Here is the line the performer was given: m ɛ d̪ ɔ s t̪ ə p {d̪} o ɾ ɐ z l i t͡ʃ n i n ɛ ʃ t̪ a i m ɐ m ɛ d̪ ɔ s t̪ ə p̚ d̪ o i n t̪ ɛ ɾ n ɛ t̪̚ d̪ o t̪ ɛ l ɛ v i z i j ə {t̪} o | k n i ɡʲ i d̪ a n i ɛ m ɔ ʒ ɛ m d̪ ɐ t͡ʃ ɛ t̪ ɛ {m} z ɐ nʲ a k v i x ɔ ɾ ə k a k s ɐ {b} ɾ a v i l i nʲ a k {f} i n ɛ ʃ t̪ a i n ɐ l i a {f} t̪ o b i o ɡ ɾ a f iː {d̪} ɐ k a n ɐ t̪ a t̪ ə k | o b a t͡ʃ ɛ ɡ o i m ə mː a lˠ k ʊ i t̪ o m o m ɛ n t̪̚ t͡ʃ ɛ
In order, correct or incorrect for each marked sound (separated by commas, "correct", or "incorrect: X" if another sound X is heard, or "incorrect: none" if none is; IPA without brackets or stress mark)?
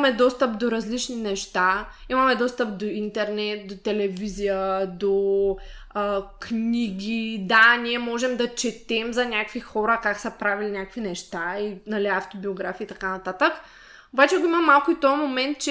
correct, incorrect: d̪, correct, incorrect: p, incorrect: v, correct, incorrect: t̪